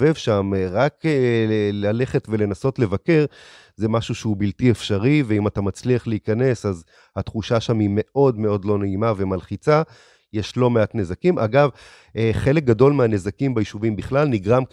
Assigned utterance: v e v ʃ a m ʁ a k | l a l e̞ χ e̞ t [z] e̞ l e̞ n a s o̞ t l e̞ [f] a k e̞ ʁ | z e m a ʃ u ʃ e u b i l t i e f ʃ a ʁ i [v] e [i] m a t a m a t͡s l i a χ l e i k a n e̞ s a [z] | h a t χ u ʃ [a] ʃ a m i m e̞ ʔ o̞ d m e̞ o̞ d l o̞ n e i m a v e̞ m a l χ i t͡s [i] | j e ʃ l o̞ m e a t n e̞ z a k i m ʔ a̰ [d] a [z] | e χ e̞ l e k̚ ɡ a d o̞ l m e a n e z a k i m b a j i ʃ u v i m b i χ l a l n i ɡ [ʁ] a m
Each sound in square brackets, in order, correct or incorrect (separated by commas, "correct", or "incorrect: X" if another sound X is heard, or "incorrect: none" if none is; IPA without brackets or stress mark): incorrect: v, incorrect: v, correct, correct, correct, correct, incorrect: a, incorrect: ɡ, incorrect: v, correct